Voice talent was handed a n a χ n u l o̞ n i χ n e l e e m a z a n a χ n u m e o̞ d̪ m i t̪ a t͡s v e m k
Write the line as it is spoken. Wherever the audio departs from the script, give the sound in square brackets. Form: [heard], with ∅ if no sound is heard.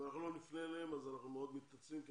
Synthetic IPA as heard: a n a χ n u l o̞ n i [f] n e l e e m a z a n a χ n u m e o̞ d̪ m i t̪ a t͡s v [i] m k